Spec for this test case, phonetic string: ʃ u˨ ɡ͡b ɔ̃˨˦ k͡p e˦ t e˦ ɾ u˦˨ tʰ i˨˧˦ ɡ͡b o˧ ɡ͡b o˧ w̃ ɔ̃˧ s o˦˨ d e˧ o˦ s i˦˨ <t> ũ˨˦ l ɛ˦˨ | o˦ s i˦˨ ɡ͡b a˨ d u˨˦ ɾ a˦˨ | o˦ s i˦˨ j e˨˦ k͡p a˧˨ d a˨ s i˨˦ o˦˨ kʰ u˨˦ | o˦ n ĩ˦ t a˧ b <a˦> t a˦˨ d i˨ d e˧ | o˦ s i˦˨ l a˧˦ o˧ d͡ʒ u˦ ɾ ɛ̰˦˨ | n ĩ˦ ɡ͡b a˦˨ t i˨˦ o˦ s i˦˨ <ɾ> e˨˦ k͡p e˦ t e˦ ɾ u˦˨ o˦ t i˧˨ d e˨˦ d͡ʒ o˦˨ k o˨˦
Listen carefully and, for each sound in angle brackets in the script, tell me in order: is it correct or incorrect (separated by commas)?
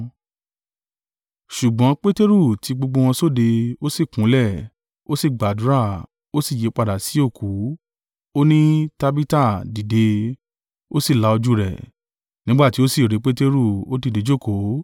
incorrect, incorrect, correct